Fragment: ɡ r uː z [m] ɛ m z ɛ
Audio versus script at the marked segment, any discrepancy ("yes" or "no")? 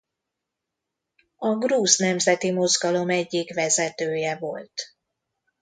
yes